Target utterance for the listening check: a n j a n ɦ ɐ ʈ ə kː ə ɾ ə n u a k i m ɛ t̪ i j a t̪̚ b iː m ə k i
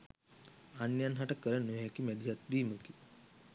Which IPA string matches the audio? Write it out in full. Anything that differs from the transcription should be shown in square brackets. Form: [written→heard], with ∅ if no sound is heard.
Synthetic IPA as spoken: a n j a n ɦ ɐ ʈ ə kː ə ɾ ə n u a k i m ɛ [t̪→d̪] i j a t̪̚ b iː m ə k i

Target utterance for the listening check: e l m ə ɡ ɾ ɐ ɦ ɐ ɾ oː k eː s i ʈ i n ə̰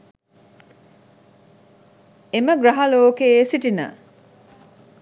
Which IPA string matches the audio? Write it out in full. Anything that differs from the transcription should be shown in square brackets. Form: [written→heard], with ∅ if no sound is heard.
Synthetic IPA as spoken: e [l→∅] m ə ɡ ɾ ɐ ɦ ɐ [ɾ→l] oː k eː s i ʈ i n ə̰

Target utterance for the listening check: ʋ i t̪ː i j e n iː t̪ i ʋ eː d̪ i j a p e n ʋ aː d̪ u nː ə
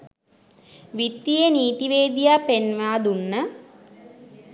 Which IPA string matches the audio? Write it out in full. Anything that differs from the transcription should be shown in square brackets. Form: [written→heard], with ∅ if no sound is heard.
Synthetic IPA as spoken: ʋ i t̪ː i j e n iː t̪ i ʋ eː d̪ i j a p e n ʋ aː d̪ u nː ə

